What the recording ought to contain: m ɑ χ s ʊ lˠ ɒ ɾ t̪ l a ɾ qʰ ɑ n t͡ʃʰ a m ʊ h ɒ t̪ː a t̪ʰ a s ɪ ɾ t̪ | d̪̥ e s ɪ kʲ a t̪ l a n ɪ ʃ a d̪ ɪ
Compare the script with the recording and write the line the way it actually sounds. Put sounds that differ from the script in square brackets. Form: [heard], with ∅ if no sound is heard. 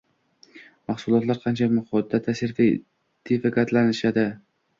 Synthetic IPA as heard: m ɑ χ s ʊ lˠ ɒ [∅] t̪ l a ɾ qʰ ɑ n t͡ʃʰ a m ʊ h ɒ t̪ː a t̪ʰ a s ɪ ɾ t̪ | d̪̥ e [f] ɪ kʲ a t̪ l a n ɪ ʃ a d̪ ɪ